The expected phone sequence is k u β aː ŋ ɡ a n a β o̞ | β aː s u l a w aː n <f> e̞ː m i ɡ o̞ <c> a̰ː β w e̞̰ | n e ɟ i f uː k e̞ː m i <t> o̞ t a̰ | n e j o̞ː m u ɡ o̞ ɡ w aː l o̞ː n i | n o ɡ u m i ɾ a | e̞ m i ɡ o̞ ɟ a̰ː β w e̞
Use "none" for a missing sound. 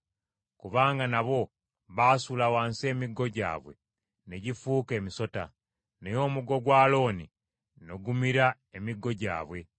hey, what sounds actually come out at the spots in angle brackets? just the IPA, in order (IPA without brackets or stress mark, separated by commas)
s, ɟ, s